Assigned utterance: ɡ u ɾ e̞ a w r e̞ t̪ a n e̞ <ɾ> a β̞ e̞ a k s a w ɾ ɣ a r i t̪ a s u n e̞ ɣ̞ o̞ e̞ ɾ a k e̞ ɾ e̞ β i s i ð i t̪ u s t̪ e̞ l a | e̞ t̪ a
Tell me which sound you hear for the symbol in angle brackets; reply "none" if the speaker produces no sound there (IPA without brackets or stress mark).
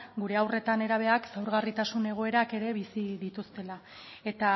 ɾ